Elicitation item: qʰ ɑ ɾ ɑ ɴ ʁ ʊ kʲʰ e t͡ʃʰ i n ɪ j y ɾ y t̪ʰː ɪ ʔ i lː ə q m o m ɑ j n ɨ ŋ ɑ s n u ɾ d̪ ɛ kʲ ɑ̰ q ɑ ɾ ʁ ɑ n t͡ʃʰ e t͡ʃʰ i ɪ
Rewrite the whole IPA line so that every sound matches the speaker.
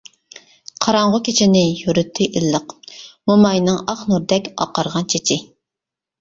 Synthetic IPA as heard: qʰ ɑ ɾ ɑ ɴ ʁ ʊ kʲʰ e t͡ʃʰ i n ɪ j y ɾ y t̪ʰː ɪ ʔ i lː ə q m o m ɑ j n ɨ ŋ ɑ χ n u ɾ d̪ ɛ kʲ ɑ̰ q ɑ ɾ ʁ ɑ n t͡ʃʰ e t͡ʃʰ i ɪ